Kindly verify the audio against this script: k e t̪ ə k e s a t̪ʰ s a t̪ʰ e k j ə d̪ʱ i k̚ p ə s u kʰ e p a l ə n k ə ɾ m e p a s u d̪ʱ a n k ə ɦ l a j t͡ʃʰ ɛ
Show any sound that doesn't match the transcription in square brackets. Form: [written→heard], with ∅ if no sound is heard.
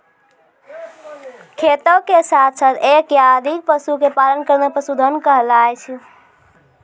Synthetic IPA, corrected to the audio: [k→kʰ] e t̪ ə k e s a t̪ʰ s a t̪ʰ e k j [ə→a] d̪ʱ i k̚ p ə s u [kʰ→k] e p a l ə n k ə ɾ [m→n] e p [a→ə] s u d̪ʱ [a→ə] n k ə ɦ l a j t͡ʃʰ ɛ